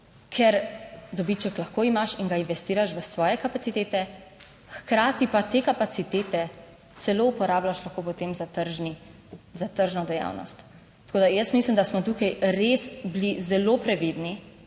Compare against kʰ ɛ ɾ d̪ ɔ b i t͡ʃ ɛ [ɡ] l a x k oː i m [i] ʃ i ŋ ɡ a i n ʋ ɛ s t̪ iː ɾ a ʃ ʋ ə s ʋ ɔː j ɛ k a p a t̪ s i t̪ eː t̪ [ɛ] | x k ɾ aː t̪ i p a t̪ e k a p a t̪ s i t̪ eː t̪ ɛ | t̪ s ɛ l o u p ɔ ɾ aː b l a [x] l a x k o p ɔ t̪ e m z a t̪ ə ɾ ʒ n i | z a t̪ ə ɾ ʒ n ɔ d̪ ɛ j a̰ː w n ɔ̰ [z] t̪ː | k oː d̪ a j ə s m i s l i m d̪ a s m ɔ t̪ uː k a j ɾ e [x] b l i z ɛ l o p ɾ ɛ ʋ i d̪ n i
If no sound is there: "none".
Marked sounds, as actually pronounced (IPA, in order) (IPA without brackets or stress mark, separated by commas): k, a, ɛ, ʃ, s, s